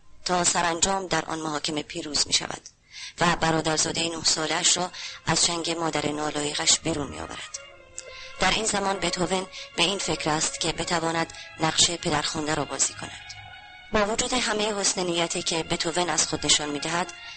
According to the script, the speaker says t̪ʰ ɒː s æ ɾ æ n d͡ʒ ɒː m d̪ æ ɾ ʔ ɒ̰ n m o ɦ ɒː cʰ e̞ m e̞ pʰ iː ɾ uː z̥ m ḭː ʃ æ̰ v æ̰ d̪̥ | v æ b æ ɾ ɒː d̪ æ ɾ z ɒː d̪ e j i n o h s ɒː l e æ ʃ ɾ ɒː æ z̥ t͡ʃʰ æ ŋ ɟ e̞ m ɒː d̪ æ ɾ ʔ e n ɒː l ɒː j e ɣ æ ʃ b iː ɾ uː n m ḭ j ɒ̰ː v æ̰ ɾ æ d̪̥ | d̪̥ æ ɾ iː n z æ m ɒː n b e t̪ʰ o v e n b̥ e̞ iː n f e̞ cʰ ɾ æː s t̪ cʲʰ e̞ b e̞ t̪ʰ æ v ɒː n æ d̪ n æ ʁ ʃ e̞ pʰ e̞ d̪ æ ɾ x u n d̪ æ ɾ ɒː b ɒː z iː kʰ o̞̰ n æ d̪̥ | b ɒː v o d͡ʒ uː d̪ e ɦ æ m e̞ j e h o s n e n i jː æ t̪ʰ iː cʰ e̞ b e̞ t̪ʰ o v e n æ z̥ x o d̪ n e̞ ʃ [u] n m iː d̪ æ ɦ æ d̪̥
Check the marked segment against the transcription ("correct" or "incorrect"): incorrect